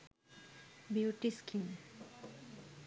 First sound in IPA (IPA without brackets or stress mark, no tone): b